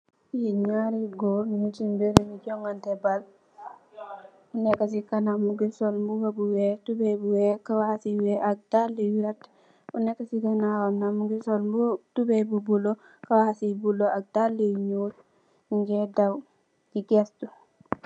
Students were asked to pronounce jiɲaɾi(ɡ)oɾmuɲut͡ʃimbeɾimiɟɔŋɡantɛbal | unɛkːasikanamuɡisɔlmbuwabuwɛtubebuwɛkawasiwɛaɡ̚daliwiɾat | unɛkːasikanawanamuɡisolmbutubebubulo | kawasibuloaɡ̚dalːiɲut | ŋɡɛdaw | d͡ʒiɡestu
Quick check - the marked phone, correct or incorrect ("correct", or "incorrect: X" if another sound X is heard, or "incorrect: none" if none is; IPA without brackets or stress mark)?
correct